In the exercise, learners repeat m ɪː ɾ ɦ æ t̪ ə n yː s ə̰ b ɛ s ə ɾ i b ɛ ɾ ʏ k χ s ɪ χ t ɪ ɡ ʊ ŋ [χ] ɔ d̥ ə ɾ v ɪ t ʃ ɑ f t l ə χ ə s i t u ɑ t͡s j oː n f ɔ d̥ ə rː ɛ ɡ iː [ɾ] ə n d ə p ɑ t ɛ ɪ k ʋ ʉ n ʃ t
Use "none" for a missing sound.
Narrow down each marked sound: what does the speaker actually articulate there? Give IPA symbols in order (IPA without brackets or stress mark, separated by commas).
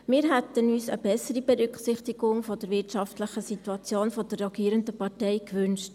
f, ɾ